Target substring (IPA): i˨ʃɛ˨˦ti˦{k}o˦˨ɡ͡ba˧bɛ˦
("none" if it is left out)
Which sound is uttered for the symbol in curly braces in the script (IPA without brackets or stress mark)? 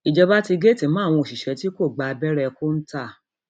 k